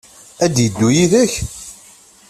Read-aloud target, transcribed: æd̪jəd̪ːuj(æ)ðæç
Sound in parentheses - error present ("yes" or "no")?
yes